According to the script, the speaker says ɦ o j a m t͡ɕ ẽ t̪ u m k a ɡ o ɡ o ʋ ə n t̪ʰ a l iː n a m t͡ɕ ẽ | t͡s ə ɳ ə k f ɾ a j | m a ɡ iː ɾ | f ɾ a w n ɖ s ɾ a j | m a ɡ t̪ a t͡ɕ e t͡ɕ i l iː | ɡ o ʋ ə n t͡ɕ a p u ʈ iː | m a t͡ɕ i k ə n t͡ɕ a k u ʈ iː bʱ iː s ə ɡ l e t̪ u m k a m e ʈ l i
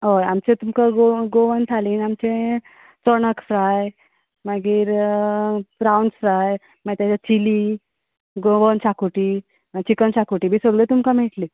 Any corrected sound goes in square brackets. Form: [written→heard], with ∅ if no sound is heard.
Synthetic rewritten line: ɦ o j a m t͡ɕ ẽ t̪ u m k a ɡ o ɡ o ʋ ə n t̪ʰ a l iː n a m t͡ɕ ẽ | t͡s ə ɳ ə k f ɾ a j | m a ɡ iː ɾ | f ɾ a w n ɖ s ɾ a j | m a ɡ t̪ a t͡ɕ [e→a] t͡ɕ i l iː | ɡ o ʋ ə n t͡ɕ a [p→k] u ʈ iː | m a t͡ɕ i k ə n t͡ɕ a k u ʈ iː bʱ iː s ə ɡ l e t̪ u m k a m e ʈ l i